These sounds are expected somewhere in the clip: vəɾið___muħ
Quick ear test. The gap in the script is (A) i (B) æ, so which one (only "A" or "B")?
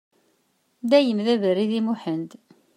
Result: A